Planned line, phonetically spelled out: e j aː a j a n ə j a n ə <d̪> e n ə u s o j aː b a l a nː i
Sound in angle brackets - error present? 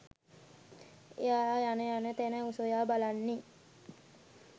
yes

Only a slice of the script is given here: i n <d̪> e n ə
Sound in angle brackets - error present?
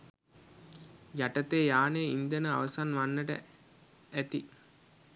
no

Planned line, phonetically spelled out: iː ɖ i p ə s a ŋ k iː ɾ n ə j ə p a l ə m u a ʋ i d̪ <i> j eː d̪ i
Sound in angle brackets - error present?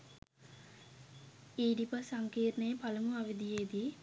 no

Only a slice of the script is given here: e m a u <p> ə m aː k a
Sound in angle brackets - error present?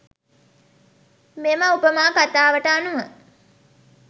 no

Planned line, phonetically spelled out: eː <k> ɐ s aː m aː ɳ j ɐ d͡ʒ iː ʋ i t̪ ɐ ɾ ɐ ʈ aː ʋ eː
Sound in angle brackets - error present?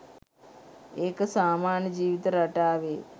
no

